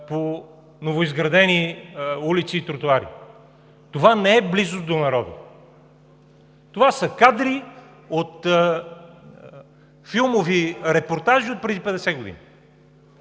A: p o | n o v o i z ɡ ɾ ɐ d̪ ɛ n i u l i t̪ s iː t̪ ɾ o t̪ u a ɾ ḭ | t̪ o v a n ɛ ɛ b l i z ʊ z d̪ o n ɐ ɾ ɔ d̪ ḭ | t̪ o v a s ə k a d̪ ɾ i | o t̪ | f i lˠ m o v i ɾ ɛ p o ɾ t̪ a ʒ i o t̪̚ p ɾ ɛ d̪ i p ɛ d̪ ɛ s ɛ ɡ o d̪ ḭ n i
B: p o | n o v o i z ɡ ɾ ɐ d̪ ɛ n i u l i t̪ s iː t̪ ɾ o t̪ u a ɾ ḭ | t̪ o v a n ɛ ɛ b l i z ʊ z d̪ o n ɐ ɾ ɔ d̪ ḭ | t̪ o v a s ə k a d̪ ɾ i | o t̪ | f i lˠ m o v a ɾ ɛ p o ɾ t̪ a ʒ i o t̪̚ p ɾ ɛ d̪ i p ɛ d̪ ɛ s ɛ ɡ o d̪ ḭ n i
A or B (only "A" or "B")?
A